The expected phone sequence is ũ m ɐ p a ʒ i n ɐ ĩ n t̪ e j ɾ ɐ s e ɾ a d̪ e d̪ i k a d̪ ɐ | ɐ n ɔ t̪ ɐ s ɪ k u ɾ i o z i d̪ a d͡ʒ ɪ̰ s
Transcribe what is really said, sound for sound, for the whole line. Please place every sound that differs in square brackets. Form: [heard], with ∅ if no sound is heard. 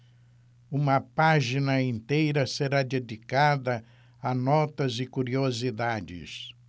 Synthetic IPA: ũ m ɐ p a ʒ i n ɐ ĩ n t̪ e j ɾ ɐ s e ɾ a d̪ e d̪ i k a d̪ ɐ | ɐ n ɔ t̪ ɐ [z] ɪ k u ɾ i o z i d̪ a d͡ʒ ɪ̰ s